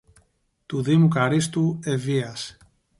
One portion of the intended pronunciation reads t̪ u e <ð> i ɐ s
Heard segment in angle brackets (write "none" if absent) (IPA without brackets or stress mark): v